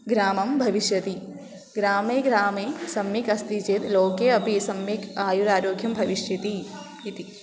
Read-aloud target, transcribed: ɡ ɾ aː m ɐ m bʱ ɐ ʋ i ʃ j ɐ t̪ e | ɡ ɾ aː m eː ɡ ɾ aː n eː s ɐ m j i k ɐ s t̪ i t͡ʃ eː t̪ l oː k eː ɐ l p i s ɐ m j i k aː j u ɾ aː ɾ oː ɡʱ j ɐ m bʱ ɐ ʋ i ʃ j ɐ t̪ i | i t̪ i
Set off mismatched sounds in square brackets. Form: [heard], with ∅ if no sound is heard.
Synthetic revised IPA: ɡ ɾ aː m ɐ m bʱ ɐ ʋ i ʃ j ɐ t̪ [i] | ɡ ɾ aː m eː ɡ ɾ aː [m] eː s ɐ m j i k ɐ s t̪ i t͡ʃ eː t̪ l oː k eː ɐ [∅] p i s ɐ m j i k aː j u ɾ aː ɾ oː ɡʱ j ɐ m bʱ ɐ ʋ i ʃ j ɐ t̪ i | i t̪ i